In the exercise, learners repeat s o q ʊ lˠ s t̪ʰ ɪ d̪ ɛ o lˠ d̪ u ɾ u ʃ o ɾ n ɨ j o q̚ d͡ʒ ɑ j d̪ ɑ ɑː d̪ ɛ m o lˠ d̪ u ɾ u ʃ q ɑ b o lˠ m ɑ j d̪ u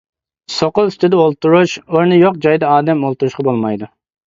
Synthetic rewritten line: s o q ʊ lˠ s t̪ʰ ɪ d̪ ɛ o lˠ t̪ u ɾ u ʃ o ɾ n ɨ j o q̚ d͡ʒ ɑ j d̪ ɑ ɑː d̪ ɛ m o lˠ t̪ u ɾ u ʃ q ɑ b o lˠ m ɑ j d̪ u

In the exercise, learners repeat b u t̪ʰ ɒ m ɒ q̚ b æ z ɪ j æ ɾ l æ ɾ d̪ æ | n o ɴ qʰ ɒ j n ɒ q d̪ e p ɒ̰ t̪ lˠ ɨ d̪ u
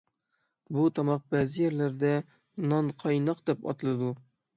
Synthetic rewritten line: b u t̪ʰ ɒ m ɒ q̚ b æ z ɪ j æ ɾ l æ ɾ d̪ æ | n ɒ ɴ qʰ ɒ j n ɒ q d̪ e p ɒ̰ t̪ lˠ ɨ d̪ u

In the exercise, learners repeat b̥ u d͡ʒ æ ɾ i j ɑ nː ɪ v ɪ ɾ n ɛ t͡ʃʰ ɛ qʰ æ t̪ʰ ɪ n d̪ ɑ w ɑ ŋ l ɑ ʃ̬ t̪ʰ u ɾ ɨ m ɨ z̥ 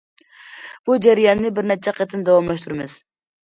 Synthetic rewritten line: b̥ u d͡ʒ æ ɾ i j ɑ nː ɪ b ɪ ɾ n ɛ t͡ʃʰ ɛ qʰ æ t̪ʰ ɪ n d̪ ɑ w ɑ m l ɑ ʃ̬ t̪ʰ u ɾ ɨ m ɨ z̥

